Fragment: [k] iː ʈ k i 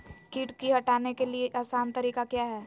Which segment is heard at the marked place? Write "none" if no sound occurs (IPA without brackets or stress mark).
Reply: k